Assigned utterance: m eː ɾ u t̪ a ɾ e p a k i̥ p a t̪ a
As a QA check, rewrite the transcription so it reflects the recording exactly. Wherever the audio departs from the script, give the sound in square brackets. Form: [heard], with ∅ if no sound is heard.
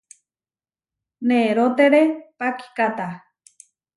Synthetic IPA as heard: [n] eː ɾ [o] t̪ [e] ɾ e p a k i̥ [k] a t̪ a